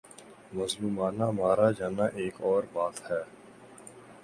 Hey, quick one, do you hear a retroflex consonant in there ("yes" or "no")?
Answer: no